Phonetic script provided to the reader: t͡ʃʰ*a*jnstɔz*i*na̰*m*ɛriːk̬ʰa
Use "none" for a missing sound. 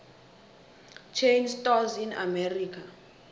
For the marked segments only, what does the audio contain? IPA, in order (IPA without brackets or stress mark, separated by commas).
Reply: e, i, m